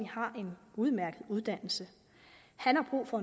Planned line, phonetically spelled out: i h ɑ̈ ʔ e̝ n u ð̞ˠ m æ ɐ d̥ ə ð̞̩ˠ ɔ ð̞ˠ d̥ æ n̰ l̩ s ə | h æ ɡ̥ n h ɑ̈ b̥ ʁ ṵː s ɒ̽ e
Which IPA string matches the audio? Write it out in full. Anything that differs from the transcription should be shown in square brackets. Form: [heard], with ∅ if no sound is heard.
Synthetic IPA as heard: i h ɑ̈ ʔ e̝ n u ð̞ˠ m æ ɐ [ɡ̥] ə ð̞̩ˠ [u] ð̞ˠ d̥ æ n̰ l̩ s ə | h æ [∅] n h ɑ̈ b̥ ʁ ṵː [f] ɒ̽ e